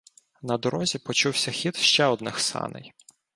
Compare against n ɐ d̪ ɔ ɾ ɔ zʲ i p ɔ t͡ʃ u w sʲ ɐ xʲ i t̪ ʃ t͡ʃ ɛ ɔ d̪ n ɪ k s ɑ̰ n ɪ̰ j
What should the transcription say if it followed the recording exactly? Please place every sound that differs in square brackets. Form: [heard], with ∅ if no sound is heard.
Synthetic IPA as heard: n ɐ d̪ ɔ ɾ ɔ zʲ i p ɔ t͡ʃ u w sʲ ɐ xʲ i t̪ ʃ t͡ʃ ɛ ɔ d̪ n ɪ [x] s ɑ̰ n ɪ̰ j